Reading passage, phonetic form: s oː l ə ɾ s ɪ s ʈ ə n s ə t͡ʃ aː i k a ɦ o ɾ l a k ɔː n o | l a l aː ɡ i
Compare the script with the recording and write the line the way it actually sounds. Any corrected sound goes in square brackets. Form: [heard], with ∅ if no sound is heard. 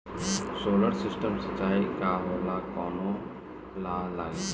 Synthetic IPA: s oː l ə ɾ s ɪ s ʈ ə [m] s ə t͡ʃ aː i k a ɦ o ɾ l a k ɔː n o | l a l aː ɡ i